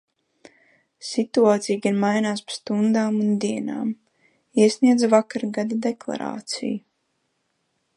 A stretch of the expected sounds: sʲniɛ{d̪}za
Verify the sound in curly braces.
correct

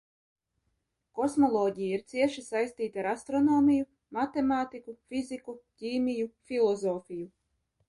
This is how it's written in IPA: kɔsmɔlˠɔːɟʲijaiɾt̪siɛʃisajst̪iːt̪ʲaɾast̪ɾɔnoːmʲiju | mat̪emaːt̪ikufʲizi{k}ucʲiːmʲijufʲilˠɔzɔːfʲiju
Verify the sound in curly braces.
correct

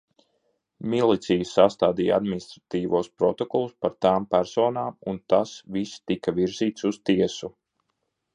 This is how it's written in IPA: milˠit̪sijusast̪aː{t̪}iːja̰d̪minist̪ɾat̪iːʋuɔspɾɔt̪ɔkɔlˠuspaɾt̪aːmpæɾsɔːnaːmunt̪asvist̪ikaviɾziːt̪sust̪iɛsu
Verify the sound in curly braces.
incorrect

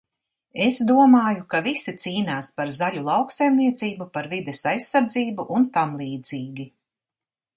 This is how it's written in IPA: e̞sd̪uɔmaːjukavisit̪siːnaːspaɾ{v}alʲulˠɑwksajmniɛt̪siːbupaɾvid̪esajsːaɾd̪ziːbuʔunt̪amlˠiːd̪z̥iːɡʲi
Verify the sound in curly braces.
incorrect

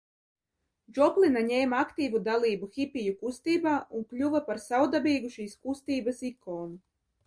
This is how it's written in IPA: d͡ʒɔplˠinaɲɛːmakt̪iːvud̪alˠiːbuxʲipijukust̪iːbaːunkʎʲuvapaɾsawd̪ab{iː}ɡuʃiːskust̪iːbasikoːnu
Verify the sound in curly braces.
correct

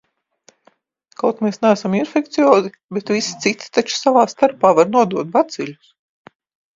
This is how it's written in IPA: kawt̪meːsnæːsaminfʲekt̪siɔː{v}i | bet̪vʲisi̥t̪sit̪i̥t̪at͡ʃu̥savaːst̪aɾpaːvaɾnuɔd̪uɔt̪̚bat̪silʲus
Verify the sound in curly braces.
incorrect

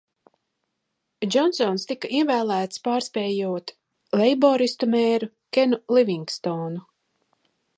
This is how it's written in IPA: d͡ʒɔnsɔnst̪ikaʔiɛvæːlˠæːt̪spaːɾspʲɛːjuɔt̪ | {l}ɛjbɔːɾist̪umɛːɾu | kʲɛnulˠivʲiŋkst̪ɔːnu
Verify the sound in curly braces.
correct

